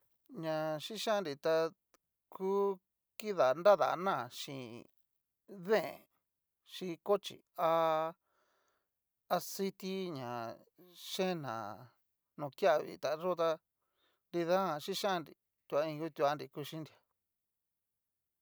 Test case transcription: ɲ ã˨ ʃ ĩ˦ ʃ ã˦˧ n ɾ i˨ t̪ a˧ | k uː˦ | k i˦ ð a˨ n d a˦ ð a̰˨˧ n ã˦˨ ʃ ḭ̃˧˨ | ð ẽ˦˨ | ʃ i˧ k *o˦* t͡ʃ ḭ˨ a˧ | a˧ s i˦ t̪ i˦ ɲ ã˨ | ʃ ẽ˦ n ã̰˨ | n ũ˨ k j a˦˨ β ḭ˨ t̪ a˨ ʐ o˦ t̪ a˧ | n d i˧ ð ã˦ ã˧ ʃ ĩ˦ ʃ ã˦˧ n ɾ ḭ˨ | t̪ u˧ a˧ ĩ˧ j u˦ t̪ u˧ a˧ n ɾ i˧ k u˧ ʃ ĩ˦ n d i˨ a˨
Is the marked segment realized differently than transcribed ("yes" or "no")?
no